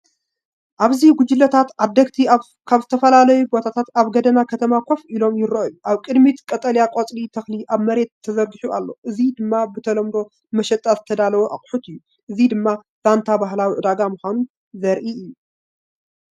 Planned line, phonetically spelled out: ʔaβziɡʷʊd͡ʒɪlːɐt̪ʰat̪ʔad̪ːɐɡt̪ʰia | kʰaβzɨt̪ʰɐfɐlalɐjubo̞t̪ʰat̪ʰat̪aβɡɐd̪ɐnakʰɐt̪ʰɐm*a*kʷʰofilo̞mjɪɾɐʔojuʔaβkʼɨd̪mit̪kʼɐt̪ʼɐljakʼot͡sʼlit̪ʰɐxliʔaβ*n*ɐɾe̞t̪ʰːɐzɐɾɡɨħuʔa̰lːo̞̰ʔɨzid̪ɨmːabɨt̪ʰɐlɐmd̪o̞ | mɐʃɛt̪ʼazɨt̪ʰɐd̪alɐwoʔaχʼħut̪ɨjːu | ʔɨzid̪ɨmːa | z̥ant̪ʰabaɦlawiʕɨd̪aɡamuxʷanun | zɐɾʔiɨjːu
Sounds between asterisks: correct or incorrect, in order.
correct, incorrect: m

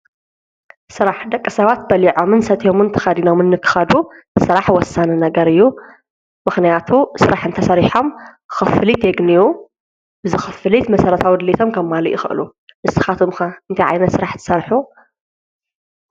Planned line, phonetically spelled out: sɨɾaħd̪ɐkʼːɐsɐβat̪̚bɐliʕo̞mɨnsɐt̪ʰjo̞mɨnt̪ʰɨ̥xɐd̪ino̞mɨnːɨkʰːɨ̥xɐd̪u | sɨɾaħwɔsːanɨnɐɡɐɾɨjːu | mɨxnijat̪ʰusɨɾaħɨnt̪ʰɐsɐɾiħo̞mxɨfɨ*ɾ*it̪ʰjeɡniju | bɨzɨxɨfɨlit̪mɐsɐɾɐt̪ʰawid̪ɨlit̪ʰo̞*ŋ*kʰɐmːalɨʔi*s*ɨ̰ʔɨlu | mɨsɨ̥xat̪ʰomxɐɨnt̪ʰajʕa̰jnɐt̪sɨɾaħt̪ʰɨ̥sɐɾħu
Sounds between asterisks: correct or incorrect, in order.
incorrect: l, incorrect: m, incorrect: x

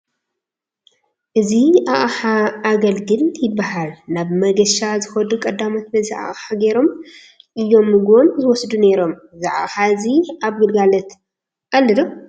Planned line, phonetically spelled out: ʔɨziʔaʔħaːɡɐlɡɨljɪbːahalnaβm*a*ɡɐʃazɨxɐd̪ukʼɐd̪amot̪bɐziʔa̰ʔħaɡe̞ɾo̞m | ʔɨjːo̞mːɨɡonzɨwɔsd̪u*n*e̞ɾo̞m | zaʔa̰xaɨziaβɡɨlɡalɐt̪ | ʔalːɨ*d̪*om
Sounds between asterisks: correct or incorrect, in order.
incorrect: ɐ, correct, correct

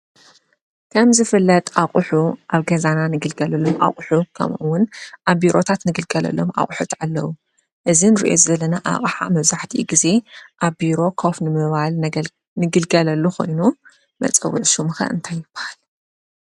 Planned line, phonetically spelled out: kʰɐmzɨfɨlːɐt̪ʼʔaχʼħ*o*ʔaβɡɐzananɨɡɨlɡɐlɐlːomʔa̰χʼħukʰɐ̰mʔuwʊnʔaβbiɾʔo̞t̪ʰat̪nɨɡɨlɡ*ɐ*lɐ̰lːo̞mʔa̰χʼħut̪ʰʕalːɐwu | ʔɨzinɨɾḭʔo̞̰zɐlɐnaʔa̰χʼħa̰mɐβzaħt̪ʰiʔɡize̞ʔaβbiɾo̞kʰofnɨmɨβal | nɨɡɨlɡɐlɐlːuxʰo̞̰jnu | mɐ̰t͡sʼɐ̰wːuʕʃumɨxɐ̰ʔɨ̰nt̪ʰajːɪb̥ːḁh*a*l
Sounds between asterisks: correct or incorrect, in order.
incorrect: u, correct, correct

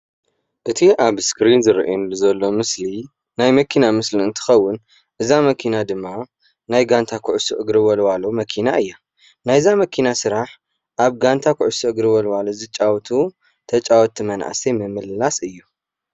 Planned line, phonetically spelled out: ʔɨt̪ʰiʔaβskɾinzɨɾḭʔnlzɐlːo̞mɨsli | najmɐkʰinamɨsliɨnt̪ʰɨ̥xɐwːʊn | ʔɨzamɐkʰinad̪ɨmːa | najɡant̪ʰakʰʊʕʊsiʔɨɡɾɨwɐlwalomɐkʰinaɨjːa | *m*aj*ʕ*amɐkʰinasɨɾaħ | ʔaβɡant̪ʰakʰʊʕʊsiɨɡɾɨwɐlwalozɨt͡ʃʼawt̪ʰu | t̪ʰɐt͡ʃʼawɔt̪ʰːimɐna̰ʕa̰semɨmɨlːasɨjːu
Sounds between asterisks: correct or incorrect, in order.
incorrect: n, incorrect: z

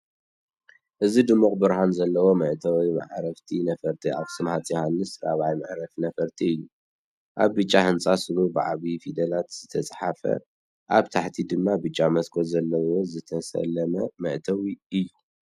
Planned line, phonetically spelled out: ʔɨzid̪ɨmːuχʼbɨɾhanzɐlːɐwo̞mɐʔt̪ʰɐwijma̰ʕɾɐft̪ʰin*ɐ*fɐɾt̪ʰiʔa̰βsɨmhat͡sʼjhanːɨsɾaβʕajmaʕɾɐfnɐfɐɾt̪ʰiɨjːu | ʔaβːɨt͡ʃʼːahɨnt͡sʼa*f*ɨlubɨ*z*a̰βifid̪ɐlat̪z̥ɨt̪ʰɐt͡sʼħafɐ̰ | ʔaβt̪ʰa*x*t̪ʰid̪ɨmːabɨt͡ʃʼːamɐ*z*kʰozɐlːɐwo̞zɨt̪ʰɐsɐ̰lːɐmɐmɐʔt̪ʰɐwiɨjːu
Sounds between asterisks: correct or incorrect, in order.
correct, incorrect: s, incorrect: ʕ, incorrect: ħ, incorrect: s

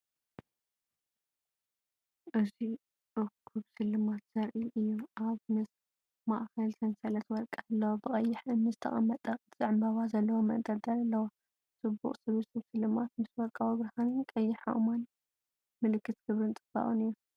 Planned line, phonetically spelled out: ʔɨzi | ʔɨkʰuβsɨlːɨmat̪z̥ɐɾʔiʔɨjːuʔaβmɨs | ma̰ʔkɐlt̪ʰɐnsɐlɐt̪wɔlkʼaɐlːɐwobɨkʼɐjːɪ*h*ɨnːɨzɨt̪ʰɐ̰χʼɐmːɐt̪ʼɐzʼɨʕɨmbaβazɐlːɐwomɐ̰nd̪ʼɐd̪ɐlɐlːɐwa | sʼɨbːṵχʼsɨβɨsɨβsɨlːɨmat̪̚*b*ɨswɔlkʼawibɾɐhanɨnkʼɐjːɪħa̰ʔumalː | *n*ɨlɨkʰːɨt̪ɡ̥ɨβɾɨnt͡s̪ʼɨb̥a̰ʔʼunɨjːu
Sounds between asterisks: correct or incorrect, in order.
incorrect: ħ, incorrect: m, incorrect: m

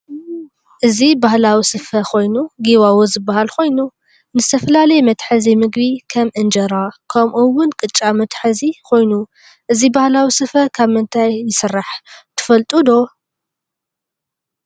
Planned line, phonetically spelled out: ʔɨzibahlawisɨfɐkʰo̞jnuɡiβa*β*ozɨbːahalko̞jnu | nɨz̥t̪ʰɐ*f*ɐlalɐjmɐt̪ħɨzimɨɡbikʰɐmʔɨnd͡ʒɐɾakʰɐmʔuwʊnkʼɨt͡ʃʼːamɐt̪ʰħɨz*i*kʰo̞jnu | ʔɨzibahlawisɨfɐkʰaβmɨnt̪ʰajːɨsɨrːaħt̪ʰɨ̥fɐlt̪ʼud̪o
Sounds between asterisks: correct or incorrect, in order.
incorrect: w, correct, correct

